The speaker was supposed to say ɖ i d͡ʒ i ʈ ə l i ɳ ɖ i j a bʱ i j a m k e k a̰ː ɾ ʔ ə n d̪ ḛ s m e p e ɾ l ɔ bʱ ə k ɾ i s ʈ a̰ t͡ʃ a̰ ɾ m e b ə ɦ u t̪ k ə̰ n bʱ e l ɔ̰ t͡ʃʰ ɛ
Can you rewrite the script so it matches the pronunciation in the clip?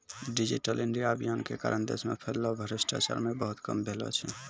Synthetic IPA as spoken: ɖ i d͡ʒ i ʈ ə l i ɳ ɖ i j a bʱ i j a n k e k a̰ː ɾ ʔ ə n d̪ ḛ s m e pʰ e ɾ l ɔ bʱ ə ɾ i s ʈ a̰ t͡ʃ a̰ ɾ m e b ə ɦ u t̪ k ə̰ m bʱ e l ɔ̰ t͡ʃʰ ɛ